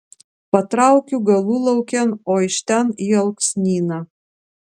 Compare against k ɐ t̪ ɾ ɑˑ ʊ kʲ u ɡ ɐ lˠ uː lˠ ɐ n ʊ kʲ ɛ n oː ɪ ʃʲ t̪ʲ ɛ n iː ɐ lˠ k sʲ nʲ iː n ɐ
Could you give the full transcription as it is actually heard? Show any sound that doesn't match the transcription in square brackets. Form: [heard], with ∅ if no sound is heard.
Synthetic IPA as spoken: [p] ɐ t̪ ɾ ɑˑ ʊ kʲ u ɡ ɐ lˠ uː lˠ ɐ [∅] ʊ kʲ ɛ n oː ɪ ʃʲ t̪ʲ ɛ n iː ɐ lˠ k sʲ nʲ iː n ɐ